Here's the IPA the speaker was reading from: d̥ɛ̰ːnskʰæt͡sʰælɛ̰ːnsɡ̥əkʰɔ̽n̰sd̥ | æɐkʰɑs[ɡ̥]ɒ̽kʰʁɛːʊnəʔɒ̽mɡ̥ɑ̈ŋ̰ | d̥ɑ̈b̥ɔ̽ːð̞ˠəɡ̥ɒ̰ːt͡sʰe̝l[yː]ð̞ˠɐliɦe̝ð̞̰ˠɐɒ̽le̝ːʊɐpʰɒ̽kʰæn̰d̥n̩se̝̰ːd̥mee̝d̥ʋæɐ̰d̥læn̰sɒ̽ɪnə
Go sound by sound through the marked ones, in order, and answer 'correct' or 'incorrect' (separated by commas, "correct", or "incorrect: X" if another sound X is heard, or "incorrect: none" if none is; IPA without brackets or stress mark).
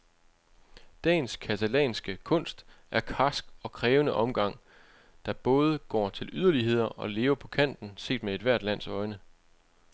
correct, incorrect: y